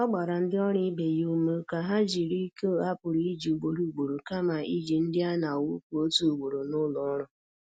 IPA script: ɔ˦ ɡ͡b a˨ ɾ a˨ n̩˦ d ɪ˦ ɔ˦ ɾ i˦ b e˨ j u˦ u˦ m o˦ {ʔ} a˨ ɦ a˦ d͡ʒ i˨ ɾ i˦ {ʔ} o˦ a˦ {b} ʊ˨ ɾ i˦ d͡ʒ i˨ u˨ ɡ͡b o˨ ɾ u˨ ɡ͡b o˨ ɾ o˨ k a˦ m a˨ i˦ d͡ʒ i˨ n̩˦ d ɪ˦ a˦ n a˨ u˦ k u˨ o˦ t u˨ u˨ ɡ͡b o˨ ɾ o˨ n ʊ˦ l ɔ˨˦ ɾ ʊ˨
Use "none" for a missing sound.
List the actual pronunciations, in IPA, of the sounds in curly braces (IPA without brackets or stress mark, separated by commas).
k, k, p